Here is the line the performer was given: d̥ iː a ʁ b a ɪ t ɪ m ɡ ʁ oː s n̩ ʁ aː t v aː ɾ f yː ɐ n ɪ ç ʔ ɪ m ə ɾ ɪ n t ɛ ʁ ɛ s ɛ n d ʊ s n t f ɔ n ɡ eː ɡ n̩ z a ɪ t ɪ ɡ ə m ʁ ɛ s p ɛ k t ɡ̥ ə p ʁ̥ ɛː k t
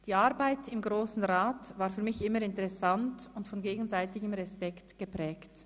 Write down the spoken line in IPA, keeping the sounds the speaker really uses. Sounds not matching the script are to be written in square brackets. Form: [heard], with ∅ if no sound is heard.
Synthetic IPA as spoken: d̥ iː a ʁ b a ɪ t ɪ m ɡ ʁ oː s n̩ ʁ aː t v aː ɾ f yː ɐ [m] ɪ ç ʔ ɪ m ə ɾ ɪ n t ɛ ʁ ɛ s [a] n [t] ʊ [∅] n t f ɔ n ɡ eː ɡ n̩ z a ɪ t ɪ ɡ ə m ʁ ɛ s p ɛ k t ɡ̥ ə p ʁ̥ ɛː k t

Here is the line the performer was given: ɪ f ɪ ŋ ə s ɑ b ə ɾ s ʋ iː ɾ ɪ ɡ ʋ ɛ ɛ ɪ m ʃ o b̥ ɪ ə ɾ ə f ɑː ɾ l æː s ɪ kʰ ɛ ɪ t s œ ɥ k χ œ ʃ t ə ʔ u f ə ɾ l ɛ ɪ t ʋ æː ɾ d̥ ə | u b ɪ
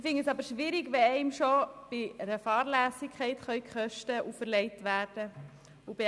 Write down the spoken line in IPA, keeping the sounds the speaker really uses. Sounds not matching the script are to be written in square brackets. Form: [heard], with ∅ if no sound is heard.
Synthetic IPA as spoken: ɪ f ɪ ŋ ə s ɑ b ə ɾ [ʃ] ʋ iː ɾ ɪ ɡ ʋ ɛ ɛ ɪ m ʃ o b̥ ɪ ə ɾ ə f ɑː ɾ l æː s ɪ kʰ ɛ ɪ t [χ] œ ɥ k χ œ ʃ t ə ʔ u f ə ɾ l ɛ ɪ t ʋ æː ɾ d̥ ə | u b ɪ

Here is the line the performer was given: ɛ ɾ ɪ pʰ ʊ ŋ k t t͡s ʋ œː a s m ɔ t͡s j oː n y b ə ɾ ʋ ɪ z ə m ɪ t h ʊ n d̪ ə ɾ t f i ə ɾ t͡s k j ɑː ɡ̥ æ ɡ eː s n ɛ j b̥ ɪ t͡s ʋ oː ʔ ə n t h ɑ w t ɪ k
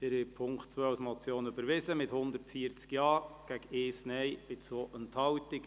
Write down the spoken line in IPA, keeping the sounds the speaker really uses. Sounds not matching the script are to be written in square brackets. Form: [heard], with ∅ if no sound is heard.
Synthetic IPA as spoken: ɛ ɾ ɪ pʰ ʊ ŋ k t t͡s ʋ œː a s m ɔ t͡s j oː n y b ə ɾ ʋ ɪ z ə m ɪ t h ʊ n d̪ ə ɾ t f i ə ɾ t͡s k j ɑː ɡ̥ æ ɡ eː s n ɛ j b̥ ɪ t͡s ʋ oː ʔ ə n t h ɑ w t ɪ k

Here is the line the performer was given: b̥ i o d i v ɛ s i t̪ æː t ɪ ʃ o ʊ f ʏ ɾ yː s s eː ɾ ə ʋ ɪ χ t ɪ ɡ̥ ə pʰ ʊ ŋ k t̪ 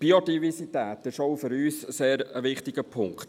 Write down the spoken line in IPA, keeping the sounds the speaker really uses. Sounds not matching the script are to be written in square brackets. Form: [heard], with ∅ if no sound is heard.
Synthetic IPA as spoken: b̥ i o d i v ɛ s i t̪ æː t ɪ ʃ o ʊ f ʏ ɾ yː s s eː ɾ ə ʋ ɪ χ t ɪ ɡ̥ ə pʰ ʊ ŋ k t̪

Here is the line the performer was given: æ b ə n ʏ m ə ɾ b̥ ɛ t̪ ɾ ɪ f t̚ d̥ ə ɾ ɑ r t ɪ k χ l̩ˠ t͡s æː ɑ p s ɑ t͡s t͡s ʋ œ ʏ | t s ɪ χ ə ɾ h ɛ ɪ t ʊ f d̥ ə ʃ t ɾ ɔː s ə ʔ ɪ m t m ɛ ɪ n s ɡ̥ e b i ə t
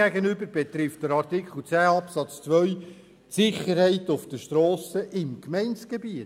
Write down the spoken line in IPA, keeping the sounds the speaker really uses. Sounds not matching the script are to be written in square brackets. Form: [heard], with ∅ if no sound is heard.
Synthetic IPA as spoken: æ [ɡ] ə n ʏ [b] ə ɾ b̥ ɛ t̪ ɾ ɪ f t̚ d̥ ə ɾ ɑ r t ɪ k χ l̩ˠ t͡s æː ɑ p s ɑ t͡s t͡s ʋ œ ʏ | t s ɪ χ ə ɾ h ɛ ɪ t ʊ f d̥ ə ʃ t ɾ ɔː s ə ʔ ɪ m [k] m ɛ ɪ n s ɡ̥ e b i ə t

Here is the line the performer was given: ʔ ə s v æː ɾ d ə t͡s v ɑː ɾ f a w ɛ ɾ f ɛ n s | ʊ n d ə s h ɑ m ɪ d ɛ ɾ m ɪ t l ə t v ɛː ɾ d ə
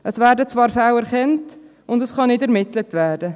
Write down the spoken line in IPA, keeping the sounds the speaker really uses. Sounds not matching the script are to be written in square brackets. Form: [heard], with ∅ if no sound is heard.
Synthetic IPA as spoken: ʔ ə s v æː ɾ d ə t͡s v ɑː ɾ f a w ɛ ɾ [χ] ɛ n [t] | ʊ n d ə s [χ] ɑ [n] ɪ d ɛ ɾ m ɪ t l ə t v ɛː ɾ d ə

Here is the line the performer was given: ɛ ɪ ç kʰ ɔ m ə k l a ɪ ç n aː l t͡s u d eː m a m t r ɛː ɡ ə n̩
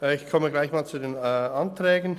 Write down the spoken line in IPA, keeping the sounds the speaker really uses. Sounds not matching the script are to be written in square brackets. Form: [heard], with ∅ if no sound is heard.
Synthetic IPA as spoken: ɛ ɪ ç kʰ ɔ m ə [ɡ] l a ɪ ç [m] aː l t͡s u d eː [n] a [n] t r ɛː ɡ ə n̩

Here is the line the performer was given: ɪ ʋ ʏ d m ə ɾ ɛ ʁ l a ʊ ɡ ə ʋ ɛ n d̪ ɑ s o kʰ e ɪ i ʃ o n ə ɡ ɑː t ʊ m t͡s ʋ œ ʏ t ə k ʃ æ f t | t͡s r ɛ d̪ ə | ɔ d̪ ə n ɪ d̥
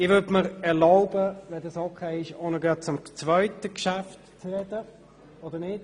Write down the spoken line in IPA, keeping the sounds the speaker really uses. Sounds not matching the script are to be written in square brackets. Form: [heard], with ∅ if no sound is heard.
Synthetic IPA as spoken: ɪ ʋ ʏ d m ə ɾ ɛ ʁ l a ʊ [b] ə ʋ ɛ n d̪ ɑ s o kʰ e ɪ [ɪ] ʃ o n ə ɡ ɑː [t͡s] ʊ m t͡s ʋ œ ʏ t ə k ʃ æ f t | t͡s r ɛ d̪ ə | ɔ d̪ ə n ɪ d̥

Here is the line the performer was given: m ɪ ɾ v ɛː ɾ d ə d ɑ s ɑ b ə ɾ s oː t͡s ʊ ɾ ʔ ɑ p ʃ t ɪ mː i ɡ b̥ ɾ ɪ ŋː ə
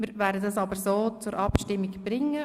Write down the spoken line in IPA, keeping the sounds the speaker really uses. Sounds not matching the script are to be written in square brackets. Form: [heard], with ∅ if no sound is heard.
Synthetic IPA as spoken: m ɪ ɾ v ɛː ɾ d ə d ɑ s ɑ b ə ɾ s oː t͡s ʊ ɾ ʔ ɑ p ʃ t ɪ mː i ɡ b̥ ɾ ɪ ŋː ə

